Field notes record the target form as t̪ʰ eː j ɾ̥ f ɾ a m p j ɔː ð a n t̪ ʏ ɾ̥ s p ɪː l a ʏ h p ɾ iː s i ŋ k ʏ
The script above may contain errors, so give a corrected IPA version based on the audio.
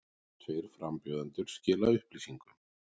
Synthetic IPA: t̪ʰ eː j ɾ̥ f ɾ a m p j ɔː ð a n t̪ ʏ ɾ̥ s c ɪː l a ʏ h p l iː s i ŋ k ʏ